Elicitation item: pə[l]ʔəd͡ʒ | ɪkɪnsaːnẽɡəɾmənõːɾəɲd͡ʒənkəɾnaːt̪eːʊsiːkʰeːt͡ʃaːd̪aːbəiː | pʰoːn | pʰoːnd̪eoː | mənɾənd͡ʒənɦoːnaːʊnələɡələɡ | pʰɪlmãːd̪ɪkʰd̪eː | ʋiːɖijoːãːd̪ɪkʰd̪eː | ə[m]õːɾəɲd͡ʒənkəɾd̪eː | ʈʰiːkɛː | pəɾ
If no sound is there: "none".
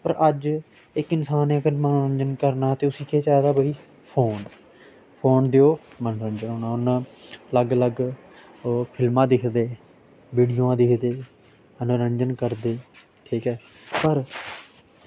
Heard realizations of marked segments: ɾ, n

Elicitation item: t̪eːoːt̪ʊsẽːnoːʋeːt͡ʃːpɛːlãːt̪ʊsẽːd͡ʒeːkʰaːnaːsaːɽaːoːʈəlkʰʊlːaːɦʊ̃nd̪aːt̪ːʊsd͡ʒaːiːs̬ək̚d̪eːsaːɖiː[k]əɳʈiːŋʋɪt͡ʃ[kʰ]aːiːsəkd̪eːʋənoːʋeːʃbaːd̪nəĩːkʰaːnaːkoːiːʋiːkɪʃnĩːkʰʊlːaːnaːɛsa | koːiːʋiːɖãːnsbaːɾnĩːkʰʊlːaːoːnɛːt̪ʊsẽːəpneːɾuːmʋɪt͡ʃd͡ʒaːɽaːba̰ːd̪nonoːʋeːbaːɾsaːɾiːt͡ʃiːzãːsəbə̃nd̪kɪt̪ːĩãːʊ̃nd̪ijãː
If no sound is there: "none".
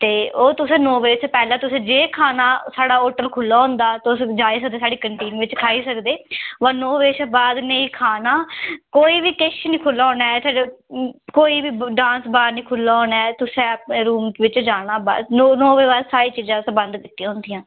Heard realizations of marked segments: k, kʰ

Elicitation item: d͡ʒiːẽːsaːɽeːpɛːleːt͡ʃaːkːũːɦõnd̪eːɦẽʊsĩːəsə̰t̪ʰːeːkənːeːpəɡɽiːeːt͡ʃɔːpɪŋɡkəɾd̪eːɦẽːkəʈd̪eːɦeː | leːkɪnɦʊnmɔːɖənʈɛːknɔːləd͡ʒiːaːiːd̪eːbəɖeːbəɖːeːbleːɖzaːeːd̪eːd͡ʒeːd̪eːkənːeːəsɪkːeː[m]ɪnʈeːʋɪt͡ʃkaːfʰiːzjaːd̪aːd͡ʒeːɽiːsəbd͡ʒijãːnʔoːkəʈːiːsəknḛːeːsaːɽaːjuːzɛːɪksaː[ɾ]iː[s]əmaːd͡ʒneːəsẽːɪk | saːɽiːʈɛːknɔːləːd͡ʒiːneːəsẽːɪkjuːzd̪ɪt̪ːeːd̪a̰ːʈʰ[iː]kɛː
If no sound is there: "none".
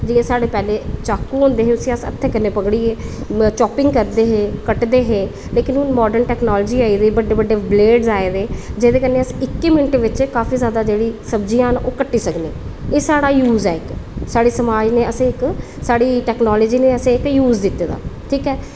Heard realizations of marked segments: m, ɽ, s, iː

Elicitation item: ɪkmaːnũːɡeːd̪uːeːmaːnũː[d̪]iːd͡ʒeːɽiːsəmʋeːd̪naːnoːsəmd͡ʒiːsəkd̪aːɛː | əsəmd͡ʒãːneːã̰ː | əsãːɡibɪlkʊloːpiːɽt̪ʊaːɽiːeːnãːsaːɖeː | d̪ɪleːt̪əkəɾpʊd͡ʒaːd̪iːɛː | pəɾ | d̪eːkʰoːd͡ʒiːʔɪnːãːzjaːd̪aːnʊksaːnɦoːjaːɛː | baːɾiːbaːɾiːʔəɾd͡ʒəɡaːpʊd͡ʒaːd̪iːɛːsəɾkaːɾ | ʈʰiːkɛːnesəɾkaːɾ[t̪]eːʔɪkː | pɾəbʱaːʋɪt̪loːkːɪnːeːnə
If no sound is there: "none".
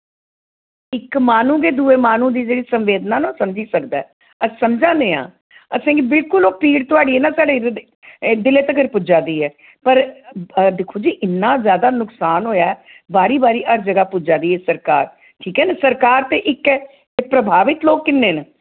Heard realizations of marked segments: d̪, t̪

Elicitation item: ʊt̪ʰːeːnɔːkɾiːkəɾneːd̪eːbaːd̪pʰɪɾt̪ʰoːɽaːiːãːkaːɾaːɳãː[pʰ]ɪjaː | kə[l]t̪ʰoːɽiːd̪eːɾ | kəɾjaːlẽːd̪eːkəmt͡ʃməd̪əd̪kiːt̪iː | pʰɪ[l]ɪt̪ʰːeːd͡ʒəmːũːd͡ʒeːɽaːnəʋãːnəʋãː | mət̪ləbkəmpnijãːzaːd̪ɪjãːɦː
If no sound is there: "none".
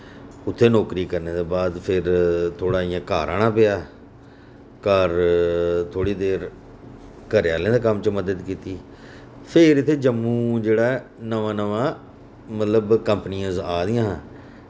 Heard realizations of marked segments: p, ɾ, ɾ

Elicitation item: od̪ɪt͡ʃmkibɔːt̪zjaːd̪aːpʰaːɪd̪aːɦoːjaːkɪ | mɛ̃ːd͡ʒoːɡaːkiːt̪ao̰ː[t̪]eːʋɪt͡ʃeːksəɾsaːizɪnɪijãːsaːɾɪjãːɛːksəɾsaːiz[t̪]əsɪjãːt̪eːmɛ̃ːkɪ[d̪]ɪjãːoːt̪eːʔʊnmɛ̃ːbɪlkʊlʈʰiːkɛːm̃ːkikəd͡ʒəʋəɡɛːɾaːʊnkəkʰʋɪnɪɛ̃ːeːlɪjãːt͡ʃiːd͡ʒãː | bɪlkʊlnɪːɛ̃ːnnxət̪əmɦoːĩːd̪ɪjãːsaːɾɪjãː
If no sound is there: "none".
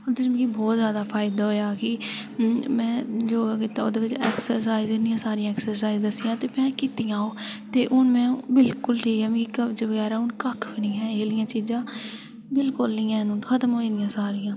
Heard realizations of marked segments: d̪, d̪, t̪

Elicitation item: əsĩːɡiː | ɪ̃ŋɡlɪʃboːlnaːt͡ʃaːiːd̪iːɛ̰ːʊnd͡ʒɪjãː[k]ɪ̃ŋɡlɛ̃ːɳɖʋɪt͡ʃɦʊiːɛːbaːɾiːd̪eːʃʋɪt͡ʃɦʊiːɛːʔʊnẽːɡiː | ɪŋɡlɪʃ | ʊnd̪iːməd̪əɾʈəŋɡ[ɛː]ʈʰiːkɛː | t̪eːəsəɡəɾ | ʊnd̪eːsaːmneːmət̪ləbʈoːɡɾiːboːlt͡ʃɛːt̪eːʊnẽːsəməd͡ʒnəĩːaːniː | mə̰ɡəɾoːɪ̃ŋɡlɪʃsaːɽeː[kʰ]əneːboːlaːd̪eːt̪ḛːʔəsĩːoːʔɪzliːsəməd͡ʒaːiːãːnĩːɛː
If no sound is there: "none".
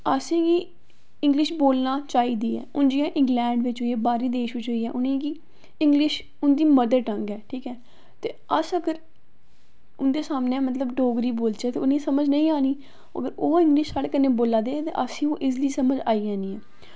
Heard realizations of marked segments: ʔ, ɛː, k

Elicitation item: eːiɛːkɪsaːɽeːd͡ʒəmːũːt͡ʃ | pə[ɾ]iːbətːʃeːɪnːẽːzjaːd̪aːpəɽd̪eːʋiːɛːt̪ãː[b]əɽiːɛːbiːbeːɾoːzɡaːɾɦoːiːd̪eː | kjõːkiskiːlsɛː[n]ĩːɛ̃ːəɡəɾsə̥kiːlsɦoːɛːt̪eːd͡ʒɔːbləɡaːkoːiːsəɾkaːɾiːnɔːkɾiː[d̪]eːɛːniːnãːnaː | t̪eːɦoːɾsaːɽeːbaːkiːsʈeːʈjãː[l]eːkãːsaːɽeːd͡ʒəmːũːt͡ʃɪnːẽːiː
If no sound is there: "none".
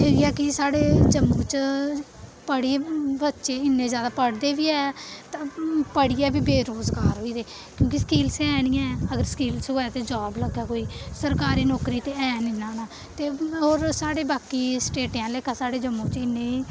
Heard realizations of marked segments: ɽ, p, n, t̪, l

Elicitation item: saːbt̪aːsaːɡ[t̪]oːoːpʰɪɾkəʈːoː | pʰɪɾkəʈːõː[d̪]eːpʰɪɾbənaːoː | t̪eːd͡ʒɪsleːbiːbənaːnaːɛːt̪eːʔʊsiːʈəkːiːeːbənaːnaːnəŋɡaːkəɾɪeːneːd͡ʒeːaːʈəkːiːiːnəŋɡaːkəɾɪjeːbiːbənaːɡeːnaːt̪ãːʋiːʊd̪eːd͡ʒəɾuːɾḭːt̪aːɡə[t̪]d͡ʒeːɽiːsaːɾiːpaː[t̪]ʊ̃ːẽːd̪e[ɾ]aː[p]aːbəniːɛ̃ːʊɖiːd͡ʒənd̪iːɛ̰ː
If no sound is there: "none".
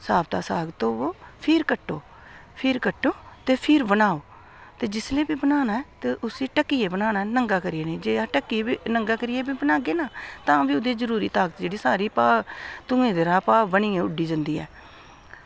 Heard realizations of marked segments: t̪, t̪, t̪, t̪, ɾ, p

